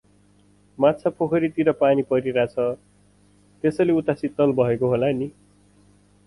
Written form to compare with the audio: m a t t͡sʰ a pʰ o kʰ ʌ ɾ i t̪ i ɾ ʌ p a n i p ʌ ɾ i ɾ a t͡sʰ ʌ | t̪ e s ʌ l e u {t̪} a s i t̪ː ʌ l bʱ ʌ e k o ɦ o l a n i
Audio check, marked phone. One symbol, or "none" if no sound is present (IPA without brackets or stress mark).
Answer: t̪